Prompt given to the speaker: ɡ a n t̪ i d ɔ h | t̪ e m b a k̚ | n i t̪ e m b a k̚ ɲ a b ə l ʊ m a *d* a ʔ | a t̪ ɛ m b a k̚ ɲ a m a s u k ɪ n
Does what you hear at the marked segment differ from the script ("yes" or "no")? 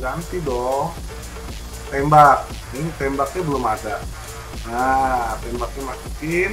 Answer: no